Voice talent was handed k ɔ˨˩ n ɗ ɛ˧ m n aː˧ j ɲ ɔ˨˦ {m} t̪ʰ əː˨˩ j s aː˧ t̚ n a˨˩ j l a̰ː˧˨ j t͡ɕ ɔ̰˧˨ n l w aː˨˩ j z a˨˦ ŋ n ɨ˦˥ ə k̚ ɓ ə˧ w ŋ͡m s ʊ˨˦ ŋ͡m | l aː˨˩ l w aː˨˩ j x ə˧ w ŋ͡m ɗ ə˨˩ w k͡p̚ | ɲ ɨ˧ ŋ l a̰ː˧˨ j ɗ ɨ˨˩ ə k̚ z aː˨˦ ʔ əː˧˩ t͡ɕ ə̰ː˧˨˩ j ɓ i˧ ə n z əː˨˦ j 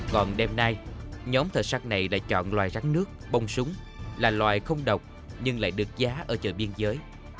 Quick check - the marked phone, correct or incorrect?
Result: correct